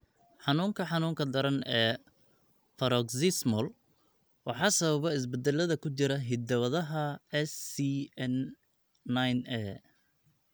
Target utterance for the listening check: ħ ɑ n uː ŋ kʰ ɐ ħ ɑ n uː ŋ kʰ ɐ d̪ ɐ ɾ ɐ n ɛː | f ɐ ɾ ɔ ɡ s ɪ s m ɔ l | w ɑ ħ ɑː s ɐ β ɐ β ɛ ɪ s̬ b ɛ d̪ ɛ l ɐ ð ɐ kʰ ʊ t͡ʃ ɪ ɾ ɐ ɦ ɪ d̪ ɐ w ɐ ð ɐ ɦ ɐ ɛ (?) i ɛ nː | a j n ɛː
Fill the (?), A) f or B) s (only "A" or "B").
B